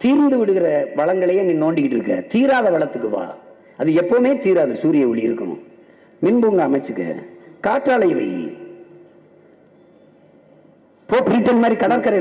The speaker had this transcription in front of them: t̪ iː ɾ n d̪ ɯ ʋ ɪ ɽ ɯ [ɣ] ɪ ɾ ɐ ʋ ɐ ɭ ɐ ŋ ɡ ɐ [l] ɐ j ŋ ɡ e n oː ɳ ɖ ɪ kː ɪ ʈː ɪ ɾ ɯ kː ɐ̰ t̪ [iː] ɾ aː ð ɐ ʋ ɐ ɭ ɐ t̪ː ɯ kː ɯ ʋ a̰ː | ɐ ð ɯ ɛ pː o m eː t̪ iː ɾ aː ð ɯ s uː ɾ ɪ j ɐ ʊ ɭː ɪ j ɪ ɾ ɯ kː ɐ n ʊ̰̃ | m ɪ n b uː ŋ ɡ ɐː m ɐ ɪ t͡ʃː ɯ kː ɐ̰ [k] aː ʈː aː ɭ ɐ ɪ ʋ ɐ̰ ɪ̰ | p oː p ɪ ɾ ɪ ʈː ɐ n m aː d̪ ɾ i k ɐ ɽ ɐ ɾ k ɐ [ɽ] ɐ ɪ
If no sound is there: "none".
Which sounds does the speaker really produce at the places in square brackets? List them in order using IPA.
ɣ, ɭ, iː, k, ɾ

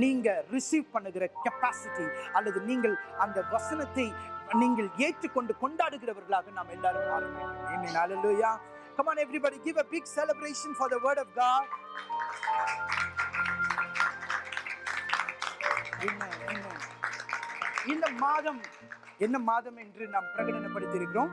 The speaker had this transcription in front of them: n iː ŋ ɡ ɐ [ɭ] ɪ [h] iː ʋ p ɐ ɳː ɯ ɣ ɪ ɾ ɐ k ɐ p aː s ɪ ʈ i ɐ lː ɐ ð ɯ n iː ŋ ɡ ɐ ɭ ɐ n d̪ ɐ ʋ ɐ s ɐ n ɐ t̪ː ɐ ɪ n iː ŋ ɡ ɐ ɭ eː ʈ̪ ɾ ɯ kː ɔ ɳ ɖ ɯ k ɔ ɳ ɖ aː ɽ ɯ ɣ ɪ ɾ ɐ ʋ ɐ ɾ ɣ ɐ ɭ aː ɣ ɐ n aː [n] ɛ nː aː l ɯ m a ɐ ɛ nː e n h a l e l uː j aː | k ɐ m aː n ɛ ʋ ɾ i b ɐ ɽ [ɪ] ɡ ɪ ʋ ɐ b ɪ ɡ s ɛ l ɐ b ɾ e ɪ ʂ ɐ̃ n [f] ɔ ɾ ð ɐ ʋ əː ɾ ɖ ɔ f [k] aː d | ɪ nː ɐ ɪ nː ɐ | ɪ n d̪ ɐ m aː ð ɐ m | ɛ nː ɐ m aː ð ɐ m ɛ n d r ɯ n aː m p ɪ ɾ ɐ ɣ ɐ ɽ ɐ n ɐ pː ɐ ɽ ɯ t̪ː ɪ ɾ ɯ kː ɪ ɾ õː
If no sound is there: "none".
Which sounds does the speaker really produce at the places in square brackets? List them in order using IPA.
ɾ, s, m, i, f, ɡ

